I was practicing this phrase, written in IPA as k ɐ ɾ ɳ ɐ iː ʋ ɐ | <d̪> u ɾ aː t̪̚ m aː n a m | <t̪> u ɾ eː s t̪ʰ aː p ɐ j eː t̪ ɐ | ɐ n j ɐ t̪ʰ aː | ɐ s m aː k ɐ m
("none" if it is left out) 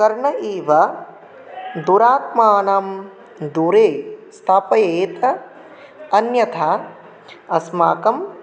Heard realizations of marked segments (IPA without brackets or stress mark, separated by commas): d̪, d̪